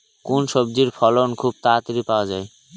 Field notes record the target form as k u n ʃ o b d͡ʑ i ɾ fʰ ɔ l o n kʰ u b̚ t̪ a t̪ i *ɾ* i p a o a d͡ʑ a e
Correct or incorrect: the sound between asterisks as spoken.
correct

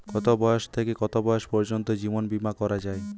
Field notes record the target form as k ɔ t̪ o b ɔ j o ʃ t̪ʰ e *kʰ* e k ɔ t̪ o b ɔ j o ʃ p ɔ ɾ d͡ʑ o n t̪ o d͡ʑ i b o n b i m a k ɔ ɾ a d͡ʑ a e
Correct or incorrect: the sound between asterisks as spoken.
incorrect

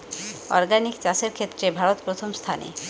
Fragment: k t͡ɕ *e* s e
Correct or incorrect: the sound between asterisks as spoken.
incorrect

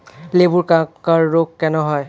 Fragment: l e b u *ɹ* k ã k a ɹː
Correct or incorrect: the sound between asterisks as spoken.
correct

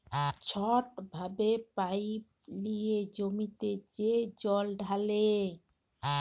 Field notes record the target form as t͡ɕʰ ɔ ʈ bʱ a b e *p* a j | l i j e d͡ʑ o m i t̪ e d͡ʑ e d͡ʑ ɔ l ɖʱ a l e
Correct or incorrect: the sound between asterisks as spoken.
correct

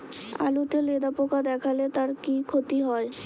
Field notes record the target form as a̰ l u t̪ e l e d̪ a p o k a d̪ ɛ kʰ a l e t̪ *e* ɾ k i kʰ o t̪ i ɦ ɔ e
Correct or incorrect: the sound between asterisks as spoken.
incorrect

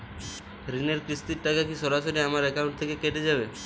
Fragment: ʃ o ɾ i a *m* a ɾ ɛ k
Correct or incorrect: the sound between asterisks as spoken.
correct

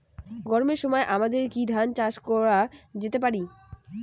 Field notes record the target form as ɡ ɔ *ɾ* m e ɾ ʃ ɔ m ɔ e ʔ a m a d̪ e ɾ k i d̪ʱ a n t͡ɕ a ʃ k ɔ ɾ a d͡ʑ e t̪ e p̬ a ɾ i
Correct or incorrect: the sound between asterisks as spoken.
correct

